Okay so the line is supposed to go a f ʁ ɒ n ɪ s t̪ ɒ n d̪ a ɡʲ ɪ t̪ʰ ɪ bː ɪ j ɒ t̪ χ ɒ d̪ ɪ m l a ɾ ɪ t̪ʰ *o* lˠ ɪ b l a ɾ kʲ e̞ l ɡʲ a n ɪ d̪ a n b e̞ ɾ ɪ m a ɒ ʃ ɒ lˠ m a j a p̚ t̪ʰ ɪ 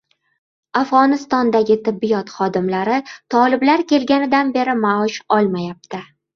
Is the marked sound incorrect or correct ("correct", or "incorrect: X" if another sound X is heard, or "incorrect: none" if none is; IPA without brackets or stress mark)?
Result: incorrect: ɒ